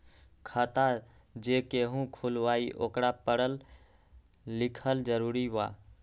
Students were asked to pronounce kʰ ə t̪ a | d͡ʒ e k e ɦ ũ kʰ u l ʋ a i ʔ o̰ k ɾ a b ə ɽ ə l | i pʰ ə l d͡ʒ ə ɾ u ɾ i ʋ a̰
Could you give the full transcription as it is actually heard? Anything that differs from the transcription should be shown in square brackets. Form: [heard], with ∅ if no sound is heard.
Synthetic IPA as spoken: kʰ ə t̪ a | d͡ʒ e k e ɦ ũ kʰ u l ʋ a i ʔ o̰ k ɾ a [p] ə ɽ ə l | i [kʰ] ə l d͡ʒ ə ɾ u ɾ i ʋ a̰